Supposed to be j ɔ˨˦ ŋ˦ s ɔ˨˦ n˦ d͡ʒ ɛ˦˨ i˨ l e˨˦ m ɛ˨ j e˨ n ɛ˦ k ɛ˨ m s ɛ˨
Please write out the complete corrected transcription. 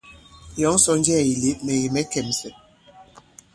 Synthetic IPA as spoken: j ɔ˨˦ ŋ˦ s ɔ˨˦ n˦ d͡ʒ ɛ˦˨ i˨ l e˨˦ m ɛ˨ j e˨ m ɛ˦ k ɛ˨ m s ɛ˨